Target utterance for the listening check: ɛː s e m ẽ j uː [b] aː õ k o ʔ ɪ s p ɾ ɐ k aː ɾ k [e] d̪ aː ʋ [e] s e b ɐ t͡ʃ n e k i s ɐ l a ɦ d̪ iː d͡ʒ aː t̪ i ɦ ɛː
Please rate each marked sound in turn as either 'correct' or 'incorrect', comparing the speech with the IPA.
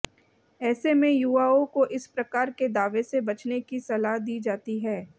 incorrect, correct, correct

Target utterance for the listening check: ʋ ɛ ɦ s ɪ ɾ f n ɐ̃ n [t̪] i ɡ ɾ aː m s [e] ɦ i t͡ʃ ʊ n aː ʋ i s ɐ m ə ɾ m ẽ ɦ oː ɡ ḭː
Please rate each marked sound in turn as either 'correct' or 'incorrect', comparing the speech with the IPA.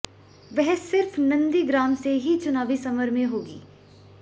incorrect, correct

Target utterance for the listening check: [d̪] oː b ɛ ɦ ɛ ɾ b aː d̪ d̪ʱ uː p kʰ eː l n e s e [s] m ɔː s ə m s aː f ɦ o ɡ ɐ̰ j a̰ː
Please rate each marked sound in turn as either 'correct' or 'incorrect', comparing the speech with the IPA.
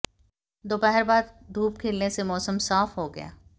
correct, incorrect

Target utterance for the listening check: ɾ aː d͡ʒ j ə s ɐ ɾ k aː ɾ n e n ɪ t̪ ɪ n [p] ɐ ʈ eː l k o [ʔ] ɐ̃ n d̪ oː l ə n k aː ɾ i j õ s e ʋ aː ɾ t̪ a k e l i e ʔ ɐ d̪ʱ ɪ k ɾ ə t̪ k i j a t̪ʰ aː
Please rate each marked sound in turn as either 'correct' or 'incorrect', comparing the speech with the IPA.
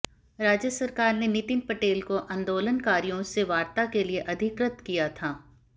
correct, correct

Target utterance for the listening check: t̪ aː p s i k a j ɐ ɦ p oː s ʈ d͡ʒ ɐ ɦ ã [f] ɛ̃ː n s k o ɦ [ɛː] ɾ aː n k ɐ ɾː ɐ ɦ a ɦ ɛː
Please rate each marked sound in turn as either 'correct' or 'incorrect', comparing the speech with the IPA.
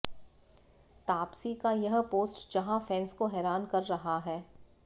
correct, correct

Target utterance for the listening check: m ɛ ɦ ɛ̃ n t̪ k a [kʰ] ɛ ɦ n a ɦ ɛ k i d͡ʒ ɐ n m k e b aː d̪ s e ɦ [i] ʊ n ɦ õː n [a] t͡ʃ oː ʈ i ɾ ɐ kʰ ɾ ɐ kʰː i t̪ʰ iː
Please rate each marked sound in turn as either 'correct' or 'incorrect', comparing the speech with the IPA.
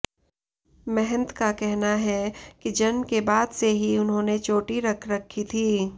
incorrect, correct, incorrect

